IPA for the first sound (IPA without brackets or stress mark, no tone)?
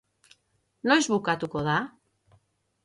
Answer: n